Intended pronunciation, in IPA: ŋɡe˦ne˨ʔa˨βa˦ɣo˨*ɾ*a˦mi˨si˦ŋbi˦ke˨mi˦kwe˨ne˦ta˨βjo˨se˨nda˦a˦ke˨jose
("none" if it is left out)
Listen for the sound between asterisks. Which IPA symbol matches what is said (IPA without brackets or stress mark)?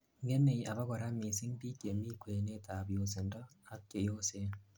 ɾ